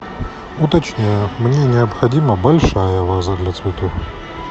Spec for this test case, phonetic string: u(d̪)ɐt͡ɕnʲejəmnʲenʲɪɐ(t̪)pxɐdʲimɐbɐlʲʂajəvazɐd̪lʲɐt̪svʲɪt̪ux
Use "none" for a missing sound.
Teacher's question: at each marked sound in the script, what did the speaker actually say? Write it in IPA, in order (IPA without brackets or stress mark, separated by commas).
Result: t̪, none